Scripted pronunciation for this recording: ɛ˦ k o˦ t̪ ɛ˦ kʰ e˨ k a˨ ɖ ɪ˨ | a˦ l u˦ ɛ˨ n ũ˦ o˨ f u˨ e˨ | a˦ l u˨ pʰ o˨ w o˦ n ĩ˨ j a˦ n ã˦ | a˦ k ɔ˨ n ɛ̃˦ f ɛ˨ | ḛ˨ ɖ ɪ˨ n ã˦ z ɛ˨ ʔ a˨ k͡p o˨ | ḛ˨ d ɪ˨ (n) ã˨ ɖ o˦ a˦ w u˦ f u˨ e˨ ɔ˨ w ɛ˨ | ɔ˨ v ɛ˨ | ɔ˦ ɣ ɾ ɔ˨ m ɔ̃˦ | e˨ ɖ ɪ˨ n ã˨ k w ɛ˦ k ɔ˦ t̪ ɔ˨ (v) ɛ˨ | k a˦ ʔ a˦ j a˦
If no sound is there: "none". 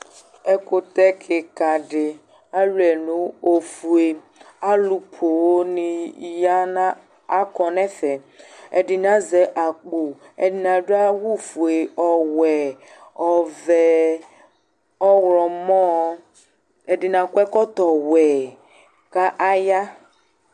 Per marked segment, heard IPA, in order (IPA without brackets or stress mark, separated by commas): n, w